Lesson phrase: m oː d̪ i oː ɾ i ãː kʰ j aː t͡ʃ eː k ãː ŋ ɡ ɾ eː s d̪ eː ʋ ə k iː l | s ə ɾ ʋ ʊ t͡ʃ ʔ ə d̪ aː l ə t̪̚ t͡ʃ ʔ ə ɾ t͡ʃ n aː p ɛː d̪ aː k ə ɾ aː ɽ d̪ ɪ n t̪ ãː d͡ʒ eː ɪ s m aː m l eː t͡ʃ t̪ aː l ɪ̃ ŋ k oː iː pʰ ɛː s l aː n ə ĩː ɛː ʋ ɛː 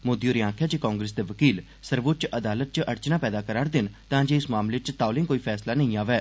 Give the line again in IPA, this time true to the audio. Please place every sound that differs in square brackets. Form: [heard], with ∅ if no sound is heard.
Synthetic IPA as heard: m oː d̪ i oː ɾ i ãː kʰ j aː t͡ʃ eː k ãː ŋ ɡ ɾ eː s d̪ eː ʋ ə k iː l | s ə ɾ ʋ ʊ t͡ʃ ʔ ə d̪ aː l ə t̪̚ t͡ʃ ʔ ə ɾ t͡ʃ n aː p ɛː d̪ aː k ə ɾ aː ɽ d̪ ɪ n t̪ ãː d͡ʒ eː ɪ s m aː m l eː t͡ʃ t̪ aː l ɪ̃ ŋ k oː iː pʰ ɛː s l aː n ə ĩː [aː] ʋ ɛː